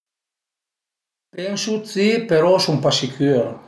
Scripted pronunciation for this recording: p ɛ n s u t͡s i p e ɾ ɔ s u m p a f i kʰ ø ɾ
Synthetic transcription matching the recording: p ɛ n s u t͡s i p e ɾ ɔ s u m p a s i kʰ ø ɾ

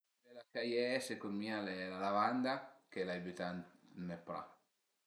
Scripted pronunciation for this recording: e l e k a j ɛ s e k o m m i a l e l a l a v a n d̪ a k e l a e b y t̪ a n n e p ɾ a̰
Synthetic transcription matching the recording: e l a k a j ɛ s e k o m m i a l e l a l a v a n d̪ a k e l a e b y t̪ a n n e p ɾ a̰

